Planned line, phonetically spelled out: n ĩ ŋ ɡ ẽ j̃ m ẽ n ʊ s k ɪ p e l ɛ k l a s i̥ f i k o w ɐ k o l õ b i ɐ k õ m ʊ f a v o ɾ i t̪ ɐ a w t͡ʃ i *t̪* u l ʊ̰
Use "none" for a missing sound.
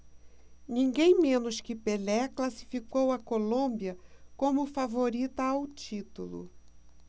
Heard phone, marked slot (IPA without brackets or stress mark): t̪